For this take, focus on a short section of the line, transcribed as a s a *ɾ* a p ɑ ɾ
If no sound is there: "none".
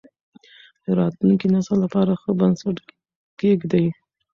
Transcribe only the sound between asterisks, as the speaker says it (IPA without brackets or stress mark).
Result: l